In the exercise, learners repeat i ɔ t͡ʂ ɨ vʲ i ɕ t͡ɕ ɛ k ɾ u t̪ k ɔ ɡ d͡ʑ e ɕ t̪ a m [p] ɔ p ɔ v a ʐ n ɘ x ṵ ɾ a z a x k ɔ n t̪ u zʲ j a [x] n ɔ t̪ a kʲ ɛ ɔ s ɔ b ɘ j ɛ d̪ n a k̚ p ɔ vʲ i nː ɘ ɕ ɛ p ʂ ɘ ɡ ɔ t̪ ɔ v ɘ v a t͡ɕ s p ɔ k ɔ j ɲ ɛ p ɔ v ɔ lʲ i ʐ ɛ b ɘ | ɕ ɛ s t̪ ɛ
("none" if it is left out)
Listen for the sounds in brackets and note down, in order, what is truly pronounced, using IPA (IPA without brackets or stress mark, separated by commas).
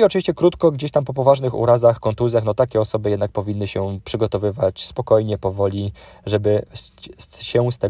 p, x